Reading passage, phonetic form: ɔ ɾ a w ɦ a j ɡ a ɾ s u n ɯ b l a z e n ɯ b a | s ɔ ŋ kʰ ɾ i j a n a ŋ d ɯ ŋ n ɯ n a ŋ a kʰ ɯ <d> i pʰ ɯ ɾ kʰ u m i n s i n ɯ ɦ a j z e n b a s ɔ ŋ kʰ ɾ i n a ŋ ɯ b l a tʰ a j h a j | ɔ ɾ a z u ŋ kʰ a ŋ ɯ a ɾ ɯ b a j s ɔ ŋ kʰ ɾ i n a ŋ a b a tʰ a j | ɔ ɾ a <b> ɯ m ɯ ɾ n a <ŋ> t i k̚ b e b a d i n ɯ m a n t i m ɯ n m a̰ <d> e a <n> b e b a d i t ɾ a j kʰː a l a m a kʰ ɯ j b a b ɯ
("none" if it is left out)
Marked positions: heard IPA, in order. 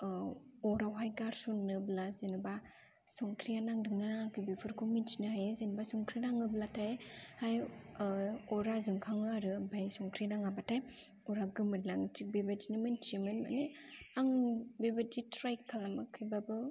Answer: b, ɡ, ŋ, n, ŋ

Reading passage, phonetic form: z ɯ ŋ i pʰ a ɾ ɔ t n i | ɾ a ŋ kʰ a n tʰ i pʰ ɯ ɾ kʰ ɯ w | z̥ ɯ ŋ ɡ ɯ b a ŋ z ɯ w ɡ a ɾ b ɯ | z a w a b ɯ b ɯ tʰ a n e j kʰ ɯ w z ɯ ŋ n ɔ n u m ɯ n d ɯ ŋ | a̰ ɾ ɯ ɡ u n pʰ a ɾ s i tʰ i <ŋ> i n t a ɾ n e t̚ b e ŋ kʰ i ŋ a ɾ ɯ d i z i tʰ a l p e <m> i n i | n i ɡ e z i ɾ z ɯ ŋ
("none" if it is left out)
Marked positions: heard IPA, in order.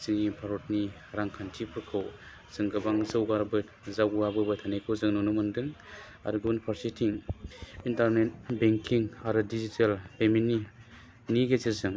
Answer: ŋ, m

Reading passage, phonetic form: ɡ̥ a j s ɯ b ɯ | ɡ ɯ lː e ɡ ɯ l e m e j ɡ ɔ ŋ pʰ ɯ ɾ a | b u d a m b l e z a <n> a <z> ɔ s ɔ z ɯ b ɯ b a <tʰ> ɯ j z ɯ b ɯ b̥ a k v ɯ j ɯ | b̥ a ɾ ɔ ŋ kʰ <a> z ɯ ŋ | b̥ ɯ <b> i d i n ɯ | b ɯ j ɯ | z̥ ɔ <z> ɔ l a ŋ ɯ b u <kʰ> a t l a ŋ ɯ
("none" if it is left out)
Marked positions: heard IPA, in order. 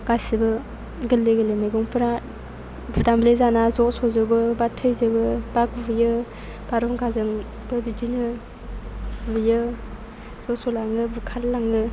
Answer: n, z, tʰ, a, b, s, kʰ

